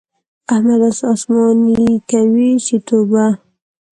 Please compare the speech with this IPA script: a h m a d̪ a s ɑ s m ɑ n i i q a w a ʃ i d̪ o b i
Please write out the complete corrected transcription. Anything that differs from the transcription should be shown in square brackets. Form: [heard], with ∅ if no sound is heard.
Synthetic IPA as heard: a h m a d̪ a s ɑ s m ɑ n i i [k] a w [i] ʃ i [t̪] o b [a]